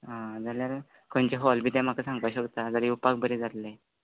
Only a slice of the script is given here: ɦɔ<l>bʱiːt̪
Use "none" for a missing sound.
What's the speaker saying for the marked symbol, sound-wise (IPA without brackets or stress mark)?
l